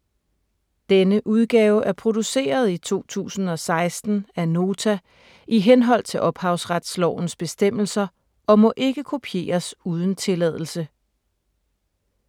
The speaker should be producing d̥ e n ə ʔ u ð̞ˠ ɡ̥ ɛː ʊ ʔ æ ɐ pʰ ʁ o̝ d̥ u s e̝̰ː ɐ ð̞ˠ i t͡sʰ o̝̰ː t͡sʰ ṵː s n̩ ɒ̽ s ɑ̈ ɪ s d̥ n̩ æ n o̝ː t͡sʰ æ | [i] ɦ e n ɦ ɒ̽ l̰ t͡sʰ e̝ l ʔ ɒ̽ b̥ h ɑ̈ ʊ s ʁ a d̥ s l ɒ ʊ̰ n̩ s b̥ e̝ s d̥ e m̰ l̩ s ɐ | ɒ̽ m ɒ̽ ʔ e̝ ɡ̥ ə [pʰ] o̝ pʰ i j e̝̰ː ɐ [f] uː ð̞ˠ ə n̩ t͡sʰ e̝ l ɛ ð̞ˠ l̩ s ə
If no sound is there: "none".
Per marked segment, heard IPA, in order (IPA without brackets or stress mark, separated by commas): i, kʰ, s